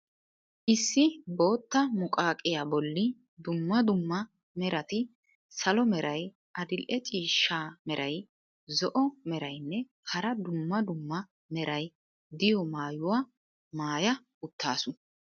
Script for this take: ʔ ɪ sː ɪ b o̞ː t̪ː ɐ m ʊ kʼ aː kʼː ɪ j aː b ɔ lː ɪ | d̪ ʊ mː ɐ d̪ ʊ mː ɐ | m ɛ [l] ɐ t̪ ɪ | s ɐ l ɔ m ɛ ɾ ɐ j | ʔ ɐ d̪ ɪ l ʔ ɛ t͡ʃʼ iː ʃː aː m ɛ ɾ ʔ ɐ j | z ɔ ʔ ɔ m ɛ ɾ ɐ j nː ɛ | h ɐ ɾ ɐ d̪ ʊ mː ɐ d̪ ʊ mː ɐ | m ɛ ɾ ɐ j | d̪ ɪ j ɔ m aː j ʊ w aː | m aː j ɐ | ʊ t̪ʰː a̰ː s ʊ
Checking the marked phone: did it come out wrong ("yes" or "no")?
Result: yes